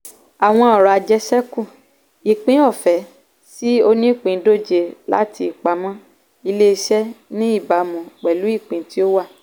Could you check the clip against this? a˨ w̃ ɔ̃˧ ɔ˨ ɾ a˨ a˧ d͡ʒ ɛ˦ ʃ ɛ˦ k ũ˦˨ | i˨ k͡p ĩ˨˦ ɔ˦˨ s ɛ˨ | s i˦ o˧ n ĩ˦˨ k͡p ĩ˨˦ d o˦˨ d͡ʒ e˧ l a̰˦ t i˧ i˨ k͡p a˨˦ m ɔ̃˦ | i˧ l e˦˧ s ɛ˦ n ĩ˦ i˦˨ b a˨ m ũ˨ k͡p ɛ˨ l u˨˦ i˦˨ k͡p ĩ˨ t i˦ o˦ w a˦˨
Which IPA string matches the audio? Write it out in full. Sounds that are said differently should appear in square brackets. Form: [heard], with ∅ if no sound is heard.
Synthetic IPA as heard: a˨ w̃ ɔ̃˧ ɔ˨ ɾ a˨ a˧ d͡ʒ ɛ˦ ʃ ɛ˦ k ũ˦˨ | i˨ k͡p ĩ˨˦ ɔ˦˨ [f] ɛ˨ | s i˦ o˧ n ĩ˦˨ k͡p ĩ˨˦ d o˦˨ d͡ʒ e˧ l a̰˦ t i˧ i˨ k͡p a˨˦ m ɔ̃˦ | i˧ l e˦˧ [ʃ] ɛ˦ n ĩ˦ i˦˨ b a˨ m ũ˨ k͡p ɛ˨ l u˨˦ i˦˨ k͡p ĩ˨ t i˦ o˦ w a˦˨